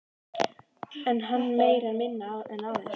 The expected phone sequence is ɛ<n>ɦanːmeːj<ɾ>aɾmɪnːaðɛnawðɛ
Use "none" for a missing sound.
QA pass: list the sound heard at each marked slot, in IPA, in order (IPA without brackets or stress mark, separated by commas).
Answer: n, ɾ